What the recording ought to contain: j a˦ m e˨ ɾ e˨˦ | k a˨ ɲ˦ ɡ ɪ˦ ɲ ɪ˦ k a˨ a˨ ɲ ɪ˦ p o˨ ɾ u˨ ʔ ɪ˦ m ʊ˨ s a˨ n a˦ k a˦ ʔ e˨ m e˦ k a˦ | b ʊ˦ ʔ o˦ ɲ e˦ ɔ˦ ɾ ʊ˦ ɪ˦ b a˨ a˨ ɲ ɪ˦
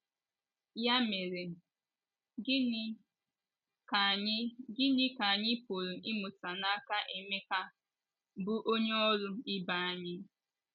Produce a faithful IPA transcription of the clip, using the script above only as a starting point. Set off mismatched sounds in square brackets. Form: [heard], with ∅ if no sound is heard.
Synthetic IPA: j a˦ m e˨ ɾ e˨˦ | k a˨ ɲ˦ ɡ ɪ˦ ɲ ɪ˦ k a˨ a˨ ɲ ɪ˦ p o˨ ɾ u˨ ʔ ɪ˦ m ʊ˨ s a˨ n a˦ k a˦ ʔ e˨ m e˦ k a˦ | b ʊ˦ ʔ o˦ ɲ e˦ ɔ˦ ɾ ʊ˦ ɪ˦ b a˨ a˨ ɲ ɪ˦